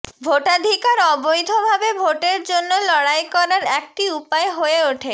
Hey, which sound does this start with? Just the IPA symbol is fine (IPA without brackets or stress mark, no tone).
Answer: bʱ